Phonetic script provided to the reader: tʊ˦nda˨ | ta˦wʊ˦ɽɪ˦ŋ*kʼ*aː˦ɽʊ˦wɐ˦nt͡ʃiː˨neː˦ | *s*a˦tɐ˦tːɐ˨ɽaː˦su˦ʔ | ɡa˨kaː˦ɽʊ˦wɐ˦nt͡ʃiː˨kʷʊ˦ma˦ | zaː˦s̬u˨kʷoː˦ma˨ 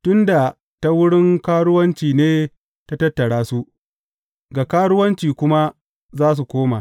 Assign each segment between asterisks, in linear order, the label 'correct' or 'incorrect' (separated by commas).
incorrect, incorrect